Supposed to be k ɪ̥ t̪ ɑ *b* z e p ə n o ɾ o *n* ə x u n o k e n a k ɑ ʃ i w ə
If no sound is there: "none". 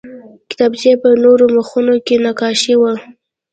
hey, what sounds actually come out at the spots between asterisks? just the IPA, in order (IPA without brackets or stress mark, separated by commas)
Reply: b, m